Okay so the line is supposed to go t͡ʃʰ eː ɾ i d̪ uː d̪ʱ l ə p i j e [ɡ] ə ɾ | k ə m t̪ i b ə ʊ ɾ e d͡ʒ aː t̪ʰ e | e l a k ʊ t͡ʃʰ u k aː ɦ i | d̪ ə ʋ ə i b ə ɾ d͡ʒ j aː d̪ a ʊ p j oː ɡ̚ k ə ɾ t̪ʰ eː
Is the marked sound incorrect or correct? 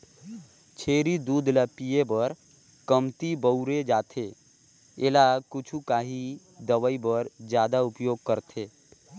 incorrect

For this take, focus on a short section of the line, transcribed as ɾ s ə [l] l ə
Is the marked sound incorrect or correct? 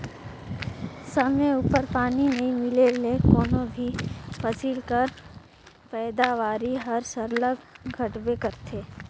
incorrect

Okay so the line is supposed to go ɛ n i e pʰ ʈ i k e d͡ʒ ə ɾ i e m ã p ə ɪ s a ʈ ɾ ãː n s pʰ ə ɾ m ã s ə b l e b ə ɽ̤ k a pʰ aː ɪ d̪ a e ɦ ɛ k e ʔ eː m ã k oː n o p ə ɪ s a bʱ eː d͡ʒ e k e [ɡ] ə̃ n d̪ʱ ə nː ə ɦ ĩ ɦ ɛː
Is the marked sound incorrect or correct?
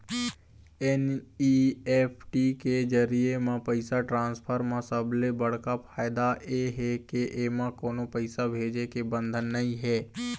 incorrect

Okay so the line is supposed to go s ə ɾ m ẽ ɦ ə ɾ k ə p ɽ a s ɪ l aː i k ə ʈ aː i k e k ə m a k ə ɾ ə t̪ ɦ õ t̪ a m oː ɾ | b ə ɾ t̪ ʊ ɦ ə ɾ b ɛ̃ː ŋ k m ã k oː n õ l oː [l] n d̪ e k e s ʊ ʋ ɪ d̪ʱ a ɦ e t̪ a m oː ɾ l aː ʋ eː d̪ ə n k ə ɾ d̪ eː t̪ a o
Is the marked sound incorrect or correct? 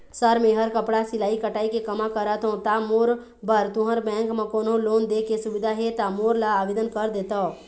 incorrect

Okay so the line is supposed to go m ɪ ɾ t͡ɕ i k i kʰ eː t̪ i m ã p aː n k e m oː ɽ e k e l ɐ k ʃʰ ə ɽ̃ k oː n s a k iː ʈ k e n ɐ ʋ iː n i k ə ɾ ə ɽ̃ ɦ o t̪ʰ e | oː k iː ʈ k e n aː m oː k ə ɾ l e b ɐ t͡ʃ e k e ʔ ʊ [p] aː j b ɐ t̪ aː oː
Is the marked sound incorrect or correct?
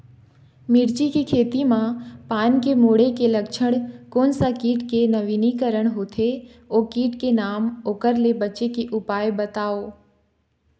correct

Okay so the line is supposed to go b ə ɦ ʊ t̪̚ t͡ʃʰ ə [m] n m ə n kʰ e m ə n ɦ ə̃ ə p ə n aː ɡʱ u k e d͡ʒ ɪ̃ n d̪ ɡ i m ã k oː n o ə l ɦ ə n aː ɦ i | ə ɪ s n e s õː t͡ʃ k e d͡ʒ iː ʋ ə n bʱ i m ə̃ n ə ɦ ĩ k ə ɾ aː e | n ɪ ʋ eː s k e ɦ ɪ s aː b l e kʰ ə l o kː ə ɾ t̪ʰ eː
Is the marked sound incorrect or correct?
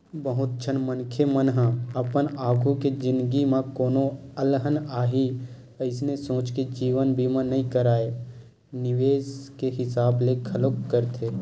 incorrect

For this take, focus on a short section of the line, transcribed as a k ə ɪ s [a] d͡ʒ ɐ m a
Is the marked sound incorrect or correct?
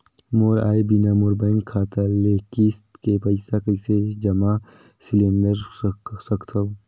incorrect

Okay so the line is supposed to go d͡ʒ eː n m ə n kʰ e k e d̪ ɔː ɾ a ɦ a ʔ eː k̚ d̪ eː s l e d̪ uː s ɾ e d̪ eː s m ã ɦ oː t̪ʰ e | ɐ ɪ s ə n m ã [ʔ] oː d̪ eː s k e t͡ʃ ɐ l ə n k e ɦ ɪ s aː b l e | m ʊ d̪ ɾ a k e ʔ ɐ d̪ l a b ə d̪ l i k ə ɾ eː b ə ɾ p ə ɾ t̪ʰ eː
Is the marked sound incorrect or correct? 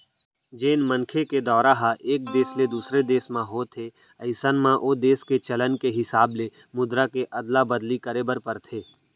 correct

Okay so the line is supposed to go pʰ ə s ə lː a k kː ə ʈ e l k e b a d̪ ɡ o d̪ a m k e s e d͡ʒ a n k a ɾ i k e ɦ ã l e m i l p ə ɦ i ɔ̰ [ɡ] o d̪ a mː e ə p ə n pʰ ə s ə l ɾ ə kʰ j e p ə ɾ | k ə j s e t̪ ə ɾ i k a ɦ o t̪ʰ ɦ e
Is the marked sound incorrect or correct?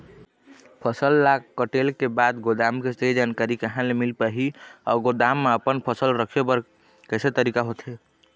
correct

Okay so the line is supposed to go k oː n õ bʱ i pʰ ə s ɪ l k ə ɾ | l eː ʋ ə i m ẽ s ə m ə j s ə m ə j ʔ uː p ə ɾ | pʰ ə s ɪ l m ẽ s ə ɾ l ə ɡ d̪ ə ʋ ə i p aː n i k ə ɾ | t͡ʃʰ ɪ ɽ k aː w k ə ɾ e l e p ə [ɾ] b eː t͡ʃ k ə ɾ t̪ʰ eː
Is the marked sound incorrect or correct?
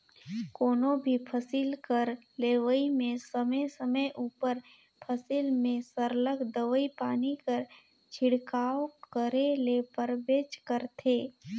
correct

